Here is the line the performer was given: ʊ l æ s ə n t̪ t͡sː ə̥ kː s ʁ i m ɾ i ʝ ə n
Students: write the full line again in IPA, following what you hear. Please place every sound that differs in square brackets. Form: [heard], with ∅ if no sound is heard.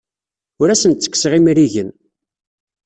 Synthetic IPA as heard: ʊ [ɾ] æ s ə n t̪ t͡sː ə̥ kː s ʁ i m ɾ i ʝ ə n